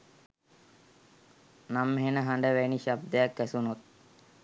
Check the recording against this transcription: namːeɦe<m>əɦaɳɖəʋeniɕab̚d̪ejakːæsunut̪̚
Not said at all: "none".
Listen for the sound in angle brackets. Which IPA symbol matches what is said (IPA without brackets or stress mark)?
n